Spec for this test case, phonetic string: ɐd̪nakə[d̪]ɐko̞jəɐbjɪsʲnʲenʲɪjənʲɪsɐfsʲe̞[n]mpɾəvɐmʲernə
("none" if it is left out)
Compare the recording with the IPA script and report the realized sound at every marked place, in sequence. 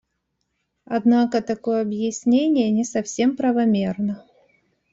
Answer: t̪, none

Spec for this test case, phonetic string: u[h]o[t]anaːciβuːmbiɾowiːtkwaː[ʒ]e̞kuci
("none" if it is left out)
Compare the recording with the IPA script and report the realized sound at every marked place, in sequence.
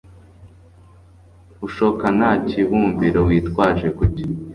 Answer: ʃ, k, ʒ

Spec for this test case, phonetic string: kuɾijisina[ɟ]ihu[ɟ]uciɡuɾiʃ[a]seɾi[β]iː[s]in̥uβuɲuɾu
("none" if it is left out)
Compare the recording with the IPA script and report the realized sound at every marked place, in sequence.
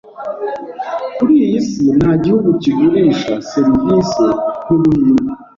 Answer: ɟ, ɡ, a, v, s

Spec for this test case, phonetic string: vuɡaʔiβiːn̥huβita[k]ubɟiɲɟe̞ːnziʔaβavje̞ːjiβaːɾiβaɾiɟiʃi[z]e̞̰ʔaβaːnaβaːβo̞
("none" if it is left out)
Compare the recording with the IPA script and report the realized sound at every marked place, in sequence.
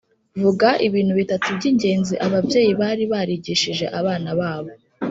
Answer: t, ʒ

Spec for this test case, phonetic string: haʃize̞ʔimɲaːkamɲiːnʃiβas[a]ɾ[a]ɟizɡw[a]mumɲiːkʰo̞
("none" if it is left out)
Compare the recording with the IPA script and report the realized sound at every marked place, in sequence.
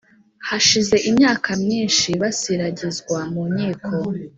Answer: i, a, a

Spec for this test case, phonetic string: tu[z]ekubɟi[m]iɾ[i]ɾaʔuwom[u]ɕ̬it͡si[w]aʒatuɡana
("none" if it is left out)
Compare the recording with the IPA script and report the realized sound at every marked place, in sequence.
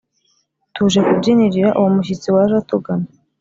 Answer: ʒ, n, i, u, w

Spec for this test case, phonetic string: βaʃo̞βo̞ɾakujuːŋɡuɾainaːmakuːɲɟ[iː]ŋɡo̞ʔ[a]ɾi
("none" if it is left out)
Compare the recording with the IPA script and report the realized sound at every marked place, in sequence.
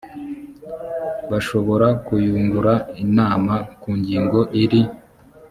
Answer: iː, i

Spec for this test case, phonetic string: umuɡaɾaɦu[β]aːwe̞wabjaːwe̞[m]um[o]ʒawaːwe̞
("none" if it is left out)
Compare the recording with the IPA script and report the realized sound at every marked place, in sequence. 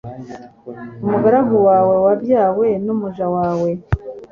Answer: w, n, u

